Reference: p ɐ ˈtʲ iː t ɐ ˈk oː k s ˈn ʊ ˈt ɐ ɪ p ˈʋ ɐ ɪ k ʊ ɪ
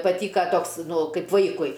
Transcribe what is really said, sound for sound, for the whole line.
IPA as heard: p ɐ ˈtʲ iː k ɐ ˈt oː k s ˈn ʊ ˈk ɐ ɪ p ˈʋ ɐ ɪ k ʊ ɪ

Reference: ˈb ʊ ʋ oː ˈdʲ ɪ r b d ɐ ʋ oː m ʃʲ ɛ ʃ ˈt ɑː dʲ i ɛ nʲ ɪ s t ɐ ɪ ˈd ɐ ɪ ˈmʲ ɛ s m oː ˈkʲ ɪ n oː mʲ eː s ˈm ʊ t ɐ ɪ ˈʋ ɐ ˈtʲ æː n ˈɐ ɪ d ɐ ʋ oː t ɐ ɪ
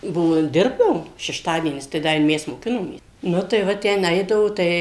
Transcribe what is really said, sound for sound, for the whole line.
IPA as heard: ˈb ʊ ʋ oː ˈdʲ ɪ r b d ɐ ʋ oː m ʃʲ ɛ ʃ ˈt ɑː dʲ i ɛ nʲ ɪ s t ɐ ɪ ˈd ɐ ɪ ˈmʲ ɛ s m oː ˈkʲ ɪ n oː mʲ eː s ˈn ʊ t ɐ ɪ ˈʋ ɐ ˈtʲ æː n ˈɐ ɪ d ɐ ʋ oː t ɐ ɪ

